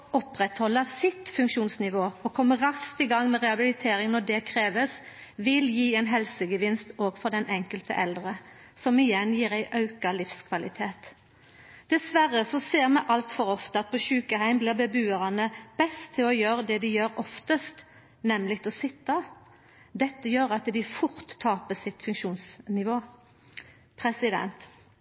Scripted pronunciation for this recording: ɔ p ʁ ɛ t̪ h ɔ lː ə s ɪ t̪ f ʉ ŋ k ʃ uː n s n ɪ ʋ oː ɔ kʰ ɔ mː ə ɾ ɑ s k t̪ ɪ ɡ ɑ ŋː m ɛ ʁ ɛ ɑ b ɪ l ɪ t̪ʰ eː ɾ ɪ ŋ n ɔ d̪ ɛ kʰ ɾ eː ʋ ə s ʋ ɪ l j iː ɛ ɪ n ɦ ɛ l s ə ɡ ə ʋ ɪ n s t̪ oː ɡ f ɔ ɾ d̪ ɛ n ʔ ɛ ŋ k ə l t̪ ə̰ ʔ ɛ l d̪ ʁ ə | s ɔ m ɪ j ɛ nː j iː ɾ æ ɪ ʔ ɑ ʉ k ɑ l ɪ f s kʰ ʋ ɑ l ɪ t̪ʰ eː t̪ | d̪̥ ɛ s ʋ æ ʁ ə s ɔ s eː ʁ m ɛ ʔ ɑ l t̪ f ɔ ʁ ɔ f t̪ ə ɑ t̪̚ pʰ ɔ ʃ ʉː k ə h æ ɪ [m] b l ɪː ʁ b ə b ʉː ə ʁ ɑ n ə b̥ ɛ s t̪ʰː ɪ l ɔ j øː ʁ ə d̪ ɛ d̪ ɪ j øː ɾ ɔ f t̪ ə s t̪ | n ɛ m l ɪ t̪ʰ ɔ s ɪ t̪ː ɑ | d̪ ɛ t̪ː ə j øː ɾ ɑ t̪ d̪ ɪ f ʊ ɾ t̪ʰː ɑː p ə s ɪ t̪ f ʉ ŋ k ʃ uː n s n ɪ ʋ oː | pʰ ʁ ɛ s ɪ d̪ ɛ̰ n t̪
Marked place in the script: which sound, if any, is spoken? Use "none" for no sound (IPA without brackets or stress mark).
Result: m